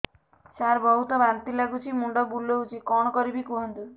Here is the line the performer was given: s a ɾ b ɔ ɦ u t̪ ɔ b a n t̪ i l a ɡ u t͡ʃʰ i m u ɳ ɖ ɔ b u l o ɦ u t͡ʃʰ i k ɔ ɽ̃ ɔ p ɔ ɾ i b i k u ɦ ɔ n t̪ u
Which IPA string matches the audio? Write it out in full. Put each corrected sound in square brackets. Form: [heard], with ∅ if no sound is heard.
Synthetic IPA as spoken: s a ɾ b ɔ ɦ u t̪ ɔ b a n t̪ i l a ɡ u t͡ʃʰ i m u ɳ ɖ ɔ b u l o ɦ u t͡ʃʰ i k ɔ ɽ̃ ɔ [k] ɔ ɾ i b i k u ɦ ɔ n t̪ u